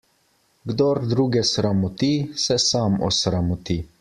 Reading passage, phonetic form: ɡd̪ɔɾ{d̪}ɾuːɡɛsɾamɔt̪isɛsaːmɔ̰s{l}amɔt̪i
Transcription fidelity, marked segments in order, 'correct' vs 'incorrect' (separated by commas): correct, incorrect